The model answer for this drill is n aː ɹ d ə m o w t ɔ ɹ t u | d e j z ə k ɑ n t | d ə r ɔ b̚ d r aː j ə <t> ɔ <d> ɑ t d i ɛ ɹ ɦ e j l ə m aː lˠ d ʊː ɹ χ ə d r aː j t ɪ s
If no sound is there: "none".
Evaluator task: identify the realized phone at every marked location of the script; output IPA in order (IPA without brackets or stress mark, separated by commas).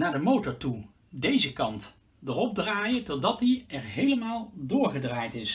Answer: t, d